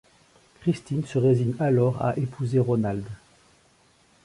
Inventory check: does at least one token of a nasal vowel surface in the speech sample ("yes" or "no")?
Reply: no